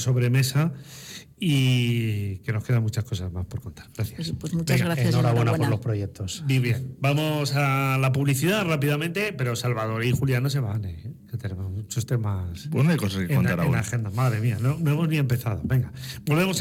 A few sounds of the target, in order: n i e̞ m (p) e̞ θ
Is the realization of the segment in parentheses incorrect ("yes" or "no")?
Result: no